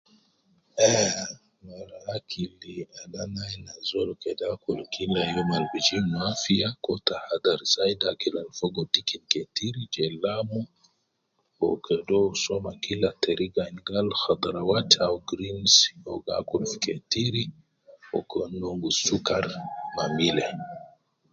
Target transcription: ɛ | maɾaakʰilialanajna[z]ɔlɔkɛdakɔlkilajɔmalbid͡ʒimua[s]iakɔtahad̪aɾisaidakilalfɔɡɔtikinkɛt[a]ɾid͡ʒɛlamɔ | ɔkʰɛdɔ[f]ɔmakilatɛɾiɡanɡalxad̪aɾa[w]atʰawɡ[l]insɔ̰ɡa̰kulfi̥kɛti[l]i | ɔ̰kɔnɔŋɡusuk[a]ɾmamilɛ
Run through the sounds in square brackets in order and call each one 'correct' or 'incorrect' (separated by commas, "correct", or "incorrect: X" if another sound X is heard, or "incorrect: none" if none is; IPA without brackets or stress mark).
correct, incorrect: f, incorrect: i, incorrect: s, correct, incorrect: ɾ, incorrect: ɾ, correct